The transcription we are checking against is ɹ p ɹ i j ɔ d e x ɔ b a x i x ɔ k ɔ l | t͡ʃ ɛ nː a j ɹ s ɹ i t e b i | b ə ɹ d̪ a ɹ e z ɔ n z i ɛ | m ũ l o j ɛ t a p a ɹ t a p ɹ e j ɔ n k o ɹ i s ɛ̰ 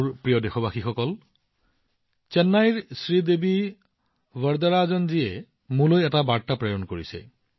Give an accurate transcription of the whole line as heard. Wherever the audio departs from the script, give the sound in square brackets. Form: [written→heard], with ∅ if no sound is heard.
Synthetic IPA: ɹ p ɹ i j ɔ d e x ɔ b a x i x ɔ k ɔ l | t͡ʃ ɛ nː a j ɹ s ɹ i [t→d] e b i | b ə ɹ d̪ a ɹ [e→a] z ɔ n z i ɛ | m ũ l o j ɛ t a [p→b] a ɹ t a p ɹ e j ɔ n k o ɹ i s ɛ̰